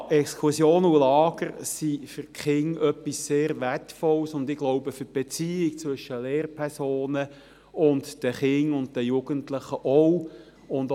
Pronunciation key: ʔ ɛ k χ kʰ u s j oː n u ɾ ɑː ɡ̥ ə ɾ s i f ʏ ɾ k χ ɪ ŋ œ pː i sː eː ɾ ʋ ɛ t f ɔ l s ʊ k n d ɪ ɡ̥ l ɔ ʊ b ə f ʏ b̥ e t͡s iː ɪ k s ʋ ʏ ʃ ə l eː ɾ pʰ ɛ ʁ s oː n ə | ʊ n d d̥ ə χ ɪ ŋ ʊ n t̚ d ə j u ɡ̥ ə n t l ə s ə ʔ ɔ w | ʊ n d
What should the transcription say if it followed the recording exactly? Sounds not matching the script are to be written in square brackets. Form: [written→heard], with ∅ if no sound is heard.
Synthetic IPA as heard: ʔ ɛ k [χ→s] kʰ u s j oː n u [ɾ→l] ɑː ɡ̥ ə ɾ s i f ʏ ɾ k χ ɪ ŋ œ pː i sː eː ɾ ʋ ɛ t f ɔ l s ʊ [k→∅] n d ɪ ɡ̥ l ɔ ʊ b ə f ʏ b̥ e t͡s iː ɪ k [s→t͡s] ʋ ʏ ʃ ə l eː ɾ pʰ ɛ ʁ s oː n ə | ʊ n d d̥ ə χ ɪ ŋ ʊ n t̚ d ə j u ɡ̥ ə n t l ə [s→χ] ə ʔ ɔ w | ʊ n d